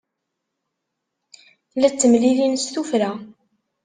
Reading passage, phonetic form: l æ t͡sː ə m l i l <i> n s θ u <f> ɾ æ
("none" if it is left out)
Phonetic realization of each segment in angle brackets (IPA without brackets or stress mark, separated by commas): i, f